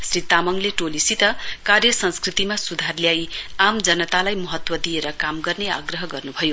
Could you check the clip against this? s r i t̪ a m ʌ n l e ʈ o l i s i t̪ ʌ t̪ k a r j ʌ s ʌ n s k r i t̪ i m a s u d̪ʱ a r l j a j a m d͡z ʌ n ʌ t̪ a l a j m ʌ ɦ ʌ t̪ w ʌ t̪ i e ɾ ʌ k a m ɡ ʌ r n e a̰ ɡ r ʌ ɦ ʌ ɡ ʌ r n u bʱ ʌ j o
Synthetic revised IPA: s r i t̪ a m ʌ ŋ l e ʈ o l i s i t̪ ʌ k a r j ʌ s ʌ n s k r i t̪ i m a s u d̪ʱ a r l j a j a m d͡z ʌ n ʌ t̪ a l a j m ʌ ɦ ʌ t̪ w ʌ d̪ i e ɾ ʌ k a m ɡ ʌ r n e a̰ ɡ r ʌ ɦ ʌ ɡ ʌ r n u bʱ ʌ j o

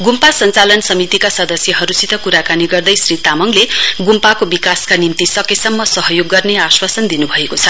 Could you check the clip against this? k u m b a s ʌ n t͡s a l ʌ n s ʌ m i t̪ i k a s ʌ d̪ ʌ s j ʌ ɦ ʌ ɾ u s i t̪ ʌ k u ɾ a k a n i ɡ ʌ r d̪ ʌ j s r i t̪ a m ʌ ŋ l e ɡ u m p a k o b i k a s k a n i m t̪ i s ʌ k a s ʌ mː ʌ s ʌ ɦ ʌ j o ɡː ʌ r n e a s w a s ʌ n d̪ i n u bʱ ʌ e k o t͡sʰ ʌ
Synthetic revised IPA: ɡ u m p a s ʌ n t͡s a l ʌ n s ʌ m i t̪ i k a s ʌ d̪ ʌ s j ʌ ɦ ʌ ɾ u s i t̪ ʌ k u ɾ a k a n i ɡ ʌ r d̪ ʌ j s r i t̪ a m ʌ ŋ l e ɡ u m p a k o b i k a s k a n i m t̪ i s ʌ k e s ʌ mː ʌ s ʌ ɦ ʌ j o ɡː ʌ r n e a s w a s ʌ n d̪ i n u bʱ ʌ e k o t͡sʰ ʌ

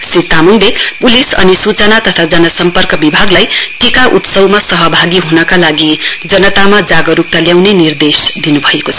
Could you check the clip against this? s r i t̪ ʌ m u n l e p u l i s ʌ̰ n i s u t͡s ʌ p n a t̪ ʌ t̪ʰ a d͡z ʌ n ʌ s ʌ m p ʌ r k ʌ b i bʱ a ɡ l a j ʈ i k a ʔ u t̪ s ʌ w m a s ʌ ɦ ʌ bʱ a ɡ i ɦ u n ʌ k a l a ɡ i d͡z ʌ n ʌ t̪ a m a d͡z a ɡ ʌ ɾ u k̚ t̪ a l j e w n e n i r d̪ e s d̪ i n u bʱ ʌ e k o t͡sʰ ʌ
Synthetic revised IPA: s r i t̪ a m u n l e p u l i s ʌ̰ n i s u t͡s ʌ n a t̪ ʌ t̪ʰ a d͡z ʌ n ʌ s ʌ m p ʌ r k ʌ b i bʱ a ɡ l a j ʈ i k a ʔ u t̪ s ʌ w m a s ʌ ɦ ʌ bʱ a ɡ i ɦ u n ʌ k a l a ɡ i d͡z ʌ n ʌ t̪ a m a d͡z a ɡ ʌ ɾ u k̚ t̪ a l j a w n e n i r d̪ e s d̪ i n u bʱ ʌ e k o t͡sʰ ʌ

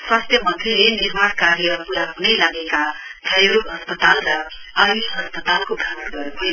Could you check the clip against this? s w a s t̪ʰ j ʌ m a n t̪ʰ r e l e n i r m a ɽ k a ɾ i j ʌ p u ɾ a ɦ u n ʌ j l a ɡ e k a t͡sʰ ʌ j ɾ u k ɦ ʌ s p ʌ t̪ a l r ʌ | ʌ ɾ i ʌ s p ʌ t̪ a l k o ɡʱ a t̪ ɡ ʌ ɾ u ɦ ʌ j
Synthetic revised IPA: s w a s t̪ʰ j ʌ m ʌ n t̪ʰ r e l e n i r m a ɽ k a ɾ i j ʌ p u ɾ a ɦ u n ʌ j l a ɡ e k a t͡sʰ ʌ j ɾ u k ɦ ʌ s p ʌ t̪ a l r ʌ | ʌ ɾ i ʌ s p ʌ t̪ a l k o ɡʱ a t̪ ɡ ʌ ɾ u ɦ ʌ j

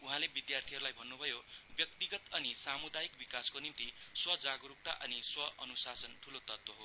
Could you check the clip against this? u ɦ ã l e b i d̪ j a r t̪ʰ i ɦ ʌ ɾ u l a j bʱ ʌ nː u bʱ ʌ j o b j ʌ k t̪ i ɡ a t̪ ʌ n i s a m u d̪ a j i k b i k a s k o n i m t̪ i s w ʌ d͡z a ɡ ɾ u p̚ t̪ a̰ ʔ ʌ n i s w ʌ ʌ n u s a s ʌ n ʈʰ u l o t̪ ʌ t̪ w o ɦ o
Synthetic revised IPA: u ɦ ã l e b i d̪ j a r t̪ʰ i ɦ ʌ ɾ u l a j bʱ ʌ nː u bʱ ʌ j o b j ʌ k t̪ i ɡ ʌ t̪ ʌ n i s a m u d̪ a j i k b i k a s k o n i m t̪ i s w ʌ d͡z a ɡ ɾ u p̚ t̪ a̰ ʔ ʌ n i s w ʌ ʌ n u s a s ʌ n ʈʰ u l o t̪ ʌ t̪ w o ɦ o

